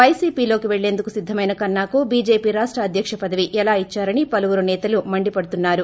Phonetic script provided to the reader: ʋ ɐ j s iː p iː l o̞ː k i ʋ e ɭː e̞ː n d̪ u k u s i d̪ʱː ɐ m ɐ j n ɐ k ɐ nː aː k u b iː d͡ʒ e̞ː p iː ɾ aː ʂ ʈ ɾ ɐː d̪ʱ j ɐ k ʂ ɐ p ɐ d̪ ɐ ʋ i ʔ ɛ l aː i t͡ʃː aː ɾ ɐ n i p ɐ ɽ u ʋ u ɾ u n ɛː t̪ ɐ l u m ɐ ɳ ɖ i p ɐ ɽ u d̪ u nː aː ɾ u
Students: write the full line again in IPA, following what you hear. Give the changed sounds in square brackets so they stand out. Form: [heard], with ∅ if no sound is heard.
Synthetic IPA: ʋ ɐ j s iː p iː l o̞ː k i ʋ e ɭː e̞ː n d̪ u k u s i d̪ʱː ɐ m ɐ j n ɐ k ɐ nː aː k u b iː d͡ʒ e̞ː p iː ɾ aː ʂ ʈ ɾ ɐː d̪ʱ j ɐ k ʂ ɐ p ɐ d̪ ɐ ʋ i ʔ ɛ l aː i t͡ʃː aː ɾ ɐ n i p ɐ [l] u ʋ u ɾ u n ɛː t̪ ɐ l u m ɐ ɳ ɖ i p ɐ ɽ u [t̪] u nː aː ɾ u